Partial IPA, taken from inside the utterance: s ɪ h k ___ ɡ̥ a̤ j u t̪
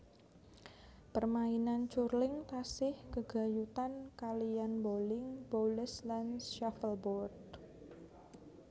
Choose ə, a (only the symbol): ə